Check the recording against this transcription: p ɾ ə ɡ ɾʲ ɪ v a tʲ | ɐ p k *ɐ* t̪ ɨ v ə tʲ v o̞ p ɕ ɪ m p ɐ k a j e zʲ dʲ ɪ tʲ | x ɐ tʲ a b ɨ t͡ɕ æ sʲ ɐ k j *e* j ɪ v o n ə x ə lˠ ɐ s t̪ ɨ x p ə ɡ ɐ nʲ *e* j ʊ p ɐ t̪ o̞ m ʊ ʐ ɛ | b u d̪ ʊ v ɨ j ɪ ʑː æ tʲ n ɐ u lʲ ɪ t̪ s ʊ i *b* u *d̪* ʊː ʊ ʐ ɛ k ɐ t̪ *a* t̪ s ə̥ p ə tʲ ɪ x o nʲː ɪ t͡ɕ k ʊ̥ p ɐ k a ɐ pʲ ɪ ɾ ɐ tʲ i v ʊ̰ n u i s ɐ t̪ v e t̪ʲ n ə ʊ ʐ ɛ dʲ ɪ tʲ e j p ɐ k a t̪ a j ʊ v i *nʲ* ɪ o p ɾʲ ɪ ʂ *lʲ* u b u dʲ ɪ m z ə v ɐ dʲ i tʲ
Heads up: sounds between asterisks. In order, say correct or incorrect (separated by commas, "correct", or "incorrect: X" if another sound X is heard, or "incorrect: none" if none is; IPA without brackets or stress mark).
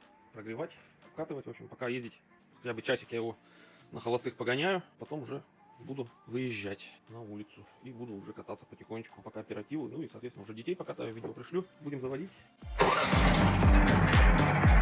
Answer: incorrect: a, incorrect: a, incorrect: æ, correct, correct, correct, incorrect: dʲ, correct